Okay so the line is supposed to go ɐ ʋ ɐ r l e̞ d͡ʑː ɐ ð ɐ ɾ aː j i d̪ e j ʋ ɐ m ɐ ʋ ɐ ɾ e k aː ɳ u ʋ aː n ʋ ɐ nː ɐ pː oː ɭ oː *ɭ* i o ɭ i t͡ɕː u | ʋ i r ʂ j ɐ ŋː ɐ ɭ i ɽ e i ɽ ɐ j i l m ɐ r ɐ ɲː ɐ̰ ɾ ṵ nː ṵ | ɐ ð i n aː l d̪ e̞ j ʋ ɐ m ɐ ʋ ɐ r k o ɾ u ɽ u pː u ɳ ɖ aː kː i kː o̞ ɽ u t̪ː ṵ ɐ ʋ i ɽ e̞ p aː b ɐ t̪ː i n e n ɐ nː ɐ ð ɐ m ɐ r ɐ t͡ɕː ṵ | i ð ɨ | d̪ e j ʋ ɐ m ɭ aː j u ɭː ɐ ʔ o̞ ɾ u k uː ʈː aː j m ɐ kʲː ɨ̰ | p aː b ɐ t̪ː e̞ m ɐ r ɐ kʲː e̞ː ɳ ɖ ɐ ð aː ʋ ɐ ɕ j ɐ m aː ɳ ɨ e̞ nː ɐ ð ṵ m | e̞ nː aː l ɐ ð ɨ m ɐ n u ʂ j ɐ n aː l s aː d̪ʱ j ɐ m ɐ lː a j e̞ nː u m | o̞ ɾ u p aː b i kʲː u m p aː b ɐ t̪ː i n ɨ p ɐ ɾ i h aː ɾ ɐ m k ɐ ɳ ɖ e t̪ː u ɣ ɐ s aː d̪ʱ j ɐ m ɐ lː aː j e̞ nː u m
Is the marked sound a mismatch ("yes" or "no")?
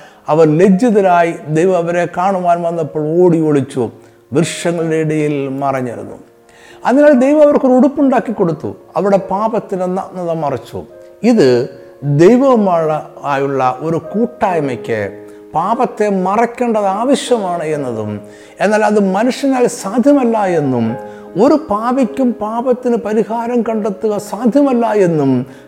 yes